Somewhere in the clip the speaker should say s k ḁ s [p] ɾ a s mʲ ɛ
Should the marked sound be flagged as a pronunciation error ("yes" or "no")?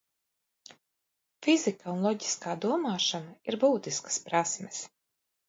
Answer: no